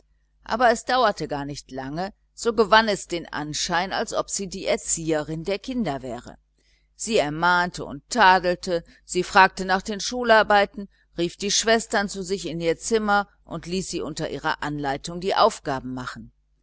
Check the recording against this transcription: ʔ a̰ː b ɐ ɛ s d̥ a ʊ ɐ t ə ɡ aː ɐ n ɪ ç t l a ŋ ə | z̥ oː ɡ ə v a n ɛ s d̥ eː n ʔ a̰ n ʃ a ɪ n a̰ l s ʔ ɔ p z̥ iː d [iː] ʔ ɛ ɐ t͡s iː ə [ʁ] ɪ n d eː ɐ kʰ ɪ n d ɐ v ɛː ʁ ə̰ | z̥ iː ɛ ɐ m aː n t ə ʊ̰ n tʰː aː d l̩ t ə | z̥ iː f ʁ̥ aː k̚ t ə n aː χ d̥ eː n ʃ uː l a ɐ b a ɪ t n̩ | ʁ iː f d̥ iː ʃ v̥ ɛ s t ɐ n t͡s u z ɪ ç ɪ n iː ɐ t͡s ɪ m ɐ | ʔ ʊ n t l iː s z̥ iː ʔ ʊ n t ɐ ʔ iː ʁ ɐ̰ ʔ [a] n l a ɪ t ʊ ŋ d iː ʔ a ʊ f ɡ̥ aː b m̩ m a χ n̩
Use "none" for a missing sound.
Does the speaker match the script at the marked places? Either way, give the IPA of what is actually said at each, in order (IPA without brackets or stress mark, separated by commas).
iː, ʁ, a